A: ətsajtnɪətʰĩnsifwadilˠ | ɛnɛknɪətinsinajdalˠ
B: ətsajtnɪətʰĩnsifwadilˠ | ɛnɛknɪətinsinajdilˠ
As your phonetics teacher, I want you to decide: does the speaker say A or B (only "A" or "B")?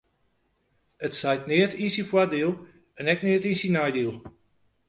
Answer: B